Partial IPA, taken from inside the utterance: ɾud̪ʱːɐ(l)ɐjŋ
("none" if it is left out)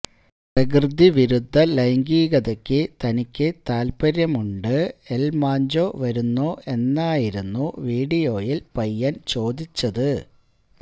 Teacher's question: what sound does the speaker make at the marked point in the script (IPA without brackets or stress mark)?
l